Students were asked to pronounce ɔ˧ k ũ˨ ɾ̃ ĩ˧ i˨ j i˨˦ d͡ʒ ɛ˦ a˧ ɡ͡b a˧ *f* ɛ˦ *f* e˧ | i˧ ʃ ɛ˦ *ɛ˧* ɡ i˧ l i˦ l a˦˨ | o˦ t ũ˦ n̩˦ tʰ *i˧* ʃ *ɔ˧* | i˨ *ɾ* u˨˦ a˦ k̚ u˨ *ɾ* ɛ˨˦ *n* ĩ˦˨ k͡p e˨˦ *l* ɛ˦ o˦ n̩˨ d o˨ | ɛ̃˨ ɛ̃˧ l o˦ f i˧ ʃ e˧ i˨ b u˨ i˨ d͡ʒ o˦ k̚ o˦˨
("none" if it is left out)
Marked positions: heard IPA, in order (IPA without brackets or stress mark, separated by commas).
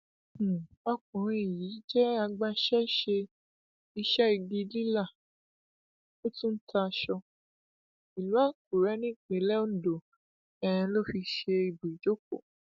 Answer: ʃ, ʃ, i˧, a˧, ɔ˧, l, ɾ, n, l